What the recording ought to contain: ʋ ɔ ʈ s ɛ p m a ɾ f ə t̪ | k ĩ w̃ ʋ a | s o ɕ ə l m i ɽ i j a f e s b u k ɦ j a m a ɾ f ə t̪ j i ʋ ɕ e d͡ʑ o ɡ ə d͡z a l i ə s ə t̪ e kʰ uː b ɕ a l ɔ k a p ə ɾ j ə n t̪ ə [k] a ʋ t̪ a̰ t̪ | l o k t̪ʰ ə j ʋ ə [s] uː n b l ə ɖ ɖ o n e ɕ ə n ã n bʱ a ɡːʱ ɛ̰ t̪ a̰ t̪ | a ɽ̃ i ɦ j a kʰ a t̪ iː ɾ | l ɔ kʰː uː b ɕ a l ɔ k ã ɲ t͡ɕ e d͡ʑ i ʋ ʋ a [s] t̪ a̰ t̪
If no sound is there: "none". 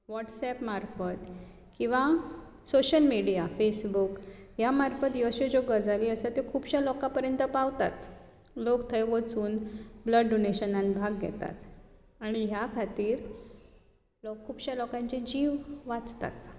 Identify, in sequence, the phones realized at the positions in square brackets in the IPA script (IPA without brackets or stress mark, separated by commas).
p, t͡s, t͡s